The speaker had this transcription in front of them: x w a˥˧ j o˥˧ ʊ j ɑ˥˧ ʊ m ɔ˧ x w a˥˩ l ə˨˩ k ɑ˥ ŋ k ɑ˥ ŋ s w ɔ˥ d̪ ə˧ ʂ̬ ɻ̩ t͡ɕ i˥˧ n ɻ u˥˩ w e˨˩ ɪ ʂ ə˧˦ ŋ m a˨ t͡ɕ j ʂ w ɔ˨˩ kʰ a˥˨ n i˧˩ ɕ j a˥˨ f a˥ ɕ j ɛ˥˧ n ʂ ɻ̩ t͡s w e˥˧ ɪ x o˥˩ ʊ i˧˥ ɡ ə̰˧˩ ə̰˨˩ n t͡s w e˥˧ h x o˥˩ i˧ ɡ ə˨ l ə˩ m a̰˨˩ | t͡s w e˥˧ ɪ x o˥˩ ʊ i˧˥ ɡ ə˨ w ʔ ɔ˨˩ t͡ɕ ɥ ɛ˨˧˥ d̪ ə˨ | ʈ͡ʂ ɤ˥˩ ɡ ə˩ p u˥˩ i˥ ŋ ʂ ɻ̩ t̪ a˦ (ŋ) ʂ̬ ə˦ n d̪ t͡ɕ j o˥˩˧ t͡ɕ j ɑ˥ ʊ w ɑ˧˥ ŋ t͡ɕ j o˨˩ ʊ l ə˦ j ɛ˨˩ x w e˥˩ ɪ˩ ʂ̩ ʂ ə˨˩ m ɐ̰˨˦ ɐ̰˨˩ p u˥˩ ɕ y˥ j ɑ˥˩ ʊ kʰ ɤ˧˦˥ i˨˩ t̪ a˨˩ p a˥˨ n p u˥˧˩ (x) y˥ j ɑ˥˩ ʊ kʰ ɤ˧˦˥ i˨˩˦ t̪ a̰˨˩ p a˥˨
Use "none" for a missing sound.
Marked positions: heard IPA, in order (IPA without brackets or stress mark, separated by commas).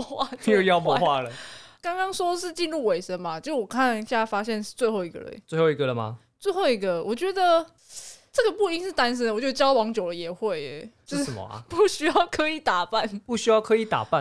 n, ɕ